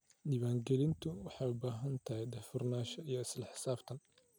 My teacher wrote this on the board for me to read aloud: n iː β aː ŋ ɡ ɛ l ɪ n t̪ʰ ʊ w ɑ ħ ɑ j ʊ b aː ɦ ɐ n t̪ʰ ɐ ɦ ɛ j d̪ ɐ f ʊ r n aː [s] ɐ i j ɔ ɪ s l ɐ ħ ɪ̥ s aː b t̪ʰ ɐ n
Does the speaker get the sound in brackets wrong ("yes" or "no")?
yes